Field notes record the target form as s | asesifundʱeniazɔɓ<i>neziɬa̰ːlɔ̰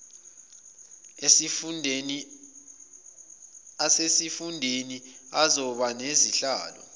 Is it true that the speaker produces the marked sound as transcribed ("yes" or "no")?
no